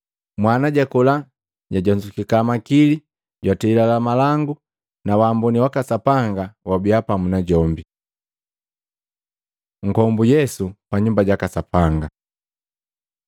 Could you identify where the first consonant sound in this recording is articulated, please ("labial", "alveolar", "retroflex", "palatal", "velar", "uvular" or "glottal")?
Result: labial